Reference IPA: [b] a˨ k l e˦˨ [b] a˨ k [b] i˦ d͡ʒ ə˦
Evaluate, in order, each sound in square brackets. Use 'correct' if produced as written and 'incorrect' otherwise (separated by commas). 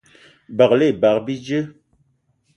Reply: correct, correct, correct